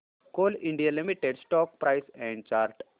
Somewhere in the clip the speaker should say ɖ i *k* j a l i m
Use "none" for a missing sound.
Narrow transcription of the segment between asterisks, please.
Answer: none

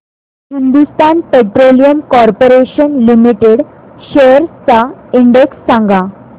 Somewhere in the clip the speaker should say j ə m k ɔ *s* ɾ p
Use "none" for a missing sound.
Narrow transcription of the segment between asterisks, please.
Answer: none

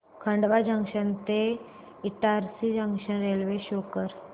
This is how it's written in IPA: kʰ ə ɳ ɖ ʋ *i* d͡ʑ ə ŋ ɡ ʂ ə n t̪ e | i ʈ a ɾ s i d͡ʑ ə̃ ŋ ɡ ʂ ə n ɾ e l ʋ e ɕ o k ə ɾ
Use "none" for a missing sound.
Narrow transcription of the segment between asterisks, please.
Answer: a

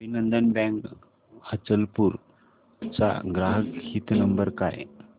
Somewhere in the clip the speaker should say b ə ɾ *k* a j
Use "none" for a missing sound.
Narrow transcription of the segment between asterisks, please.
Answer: k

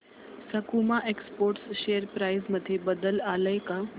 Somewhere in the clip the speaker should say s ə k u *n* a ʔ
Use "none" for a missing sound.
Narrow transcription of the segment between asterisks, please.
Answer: m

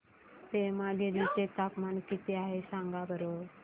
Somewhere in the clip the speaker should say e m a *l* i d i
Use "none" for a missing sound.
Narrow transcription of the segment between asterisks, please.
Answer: l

